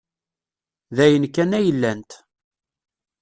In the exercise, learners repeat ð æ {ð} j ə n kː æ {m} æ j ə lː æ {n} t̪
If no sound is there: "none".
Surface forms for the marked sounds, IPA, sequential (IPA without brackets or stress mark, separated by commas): none, n, n